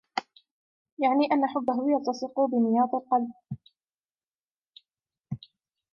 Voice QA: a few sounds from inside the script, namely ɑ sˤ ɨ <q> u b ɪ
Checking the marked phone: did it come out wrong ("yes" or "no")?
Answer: no